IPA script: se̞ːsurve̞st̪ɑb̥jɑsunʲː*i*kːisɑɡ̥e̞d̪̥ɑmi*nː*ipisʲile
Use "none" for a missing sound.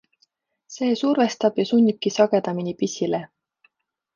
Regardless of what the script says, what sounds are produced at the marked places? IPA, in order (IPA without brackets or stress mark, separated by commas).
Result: i, n